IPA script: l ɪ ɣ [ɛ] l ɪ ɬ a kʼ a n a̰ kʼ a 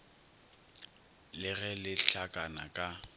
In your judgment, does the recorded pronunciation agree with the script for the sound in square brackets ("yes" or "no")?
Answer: yes